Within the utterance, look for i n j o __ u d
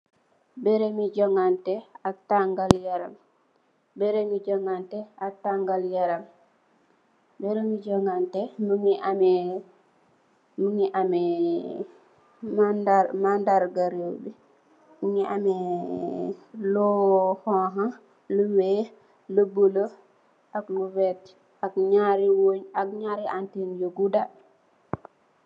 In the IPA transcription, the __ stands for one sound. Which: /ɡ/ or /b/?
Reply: ɡ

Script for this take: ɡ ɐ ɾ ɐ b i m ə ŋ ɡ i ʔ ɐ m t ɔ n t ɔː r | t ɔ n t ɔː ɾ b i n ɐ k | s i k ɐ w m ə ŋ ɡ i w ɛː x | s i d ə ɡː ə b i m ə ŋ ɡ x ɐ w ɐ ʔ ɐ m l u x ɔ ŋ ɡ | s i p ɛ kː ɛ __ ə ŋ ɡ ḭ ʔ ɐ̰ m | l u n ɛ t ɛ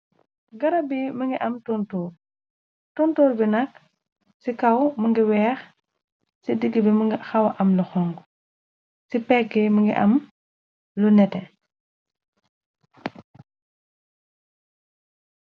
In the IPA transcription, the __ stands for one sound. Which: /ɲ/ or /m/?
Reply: m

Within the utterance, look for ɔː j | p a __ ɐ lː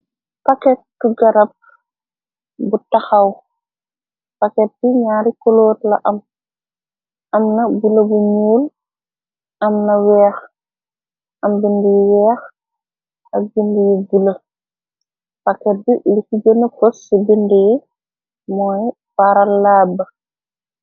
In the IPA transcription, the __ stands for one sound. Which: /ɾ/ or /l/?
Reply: ɾ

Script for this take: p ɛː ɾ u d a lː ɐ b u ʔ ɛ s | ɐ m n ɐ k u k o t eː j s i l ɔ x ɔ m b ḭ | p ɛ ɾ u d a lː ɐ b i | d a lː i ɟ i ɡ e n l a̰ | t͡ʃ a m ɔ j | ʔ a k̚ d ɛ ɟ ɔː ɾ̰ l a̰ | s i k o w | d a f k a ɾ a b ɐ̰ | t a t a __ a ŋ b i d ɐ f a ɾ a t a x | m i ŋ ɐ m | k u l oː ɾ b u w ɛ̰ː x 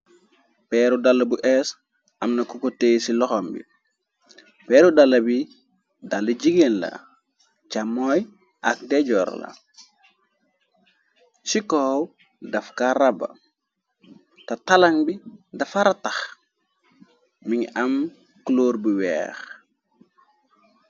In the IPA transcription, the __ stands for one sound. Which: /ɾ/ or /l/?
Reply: l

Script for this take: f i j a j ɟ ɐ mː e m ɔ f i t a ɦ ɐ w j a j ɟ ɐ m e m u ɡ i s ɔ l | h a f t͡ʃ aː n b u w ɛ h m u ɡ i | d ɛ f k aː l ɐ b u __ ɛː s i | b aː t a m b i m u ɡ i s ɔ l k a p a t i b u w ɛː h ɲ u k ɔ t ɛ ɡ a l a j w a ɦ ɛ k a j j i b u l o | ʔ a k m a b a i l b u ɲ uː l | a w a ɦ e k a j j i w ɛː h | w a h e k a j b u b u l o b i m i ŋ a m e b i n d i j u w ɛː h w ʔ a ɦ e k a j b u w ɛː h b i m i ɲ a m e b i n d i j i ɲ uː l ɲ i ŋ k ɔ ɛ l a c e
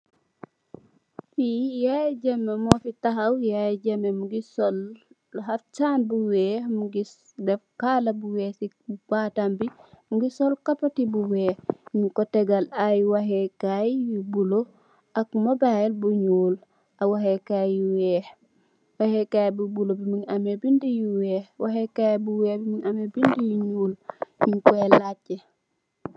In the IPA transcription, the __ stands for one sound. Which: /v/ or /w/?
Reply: w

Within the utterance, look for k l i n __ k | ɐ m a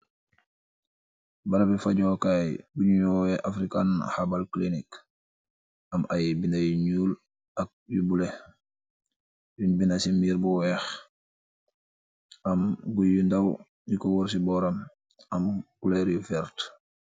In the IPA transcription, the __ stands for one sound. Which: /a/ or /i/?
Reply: i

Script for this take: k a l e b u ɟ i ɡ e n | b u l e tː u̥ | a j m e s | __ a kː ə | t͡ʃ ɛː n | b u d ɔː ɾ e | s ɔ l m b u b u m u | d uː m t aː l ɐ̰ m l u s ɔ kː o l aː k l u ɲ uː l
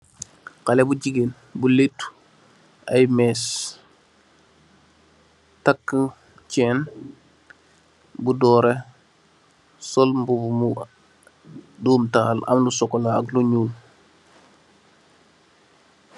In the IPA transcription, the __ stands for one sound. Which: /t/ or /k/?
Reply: t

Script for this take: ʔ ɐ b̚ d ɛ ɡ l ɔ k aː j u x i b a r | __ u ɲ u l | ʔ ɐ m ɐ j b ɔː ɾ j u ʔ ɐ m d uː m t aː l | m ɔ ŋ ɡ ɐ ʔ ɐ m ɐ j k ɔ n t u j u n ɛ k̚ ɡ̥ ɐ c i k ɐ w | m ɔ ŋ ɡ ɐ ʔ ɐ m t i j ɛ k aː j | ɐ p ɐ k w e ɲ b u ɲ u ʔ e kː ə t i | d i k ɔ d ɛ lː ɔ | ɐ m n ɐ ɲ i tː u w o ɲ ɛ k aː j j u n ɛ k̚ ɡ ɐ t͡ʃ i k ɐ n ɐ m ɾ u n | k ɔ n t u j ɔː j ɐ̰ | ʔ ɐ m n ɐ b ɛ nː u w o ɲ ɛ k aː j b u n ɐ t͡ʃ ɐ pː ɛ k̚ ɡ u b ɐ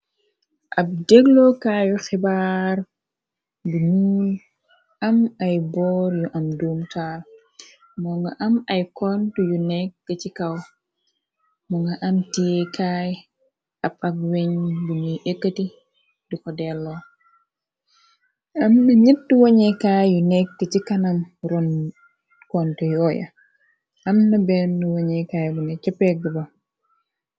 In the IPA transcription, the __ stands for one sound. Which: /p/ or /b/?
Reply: b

